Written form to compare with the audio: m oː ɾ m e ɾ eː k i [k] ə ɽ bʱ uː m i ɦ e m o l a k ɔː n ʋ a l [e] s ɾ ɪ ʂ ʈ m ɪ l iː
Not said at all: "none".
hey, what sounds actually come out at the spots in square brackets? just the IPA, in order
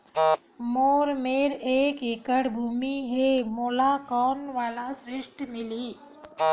k, a

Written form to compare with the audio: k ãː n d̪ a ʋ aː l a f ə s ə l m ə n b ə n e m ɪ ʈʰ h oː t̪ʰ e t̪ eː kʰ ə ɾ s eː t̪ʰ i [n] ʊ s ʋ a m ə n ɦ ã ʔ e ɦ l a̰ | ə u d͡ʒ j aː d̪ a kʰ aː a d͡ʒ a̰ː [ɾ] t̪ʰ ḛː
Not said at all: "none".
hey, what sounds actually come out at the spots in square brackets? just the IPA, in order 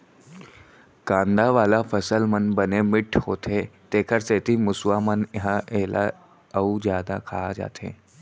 m, none

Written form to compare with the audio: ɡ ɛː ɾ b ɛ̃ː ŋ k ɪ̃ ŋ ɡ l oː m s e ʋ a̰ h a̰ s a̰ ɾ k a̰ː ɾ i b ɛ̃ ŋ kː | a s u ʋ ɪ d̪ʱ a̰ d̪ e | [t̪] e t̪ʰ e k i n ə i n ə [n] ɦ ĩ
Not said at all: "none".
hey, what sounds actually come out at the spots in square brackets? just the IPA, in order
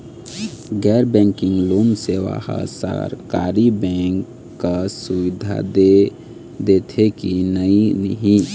d̪, none

